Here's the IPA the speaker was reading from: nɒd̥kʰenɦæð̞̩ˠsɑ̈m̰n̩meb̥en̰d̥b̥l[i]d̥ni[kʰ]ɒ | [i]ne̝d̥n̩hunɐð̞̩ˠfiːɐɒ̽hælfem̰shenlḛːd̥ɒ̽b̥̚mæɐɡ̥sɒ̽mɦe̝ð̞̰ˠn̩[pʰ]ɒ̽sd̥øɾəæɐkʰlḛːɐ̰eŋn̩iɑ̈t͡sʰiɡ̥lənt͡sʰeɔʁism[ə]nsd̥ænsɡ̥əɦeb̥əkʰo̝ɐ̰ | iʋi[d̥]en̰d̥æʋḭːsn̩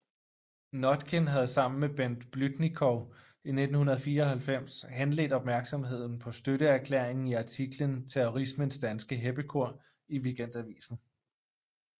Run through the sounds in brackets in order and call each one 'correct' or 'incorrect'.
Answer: incorrect, correct, correct, correct, correct, incorrect

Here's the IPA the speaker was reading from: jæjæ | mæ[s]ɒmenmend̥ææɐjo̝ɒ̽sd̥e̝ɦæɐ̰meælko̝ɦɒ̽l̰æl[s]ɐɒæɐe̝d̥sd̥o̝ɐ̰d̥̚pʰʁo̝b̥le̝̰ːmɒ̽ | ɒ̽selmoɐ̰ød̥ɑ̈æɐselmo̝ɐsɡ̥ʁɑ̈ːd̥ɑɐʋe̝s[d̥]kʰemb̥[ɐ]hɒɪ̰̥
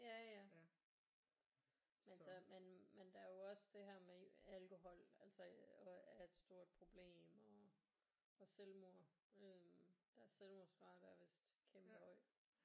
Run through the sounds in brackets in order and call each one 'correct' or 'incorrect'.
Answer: correct, correct, correct, incorrect

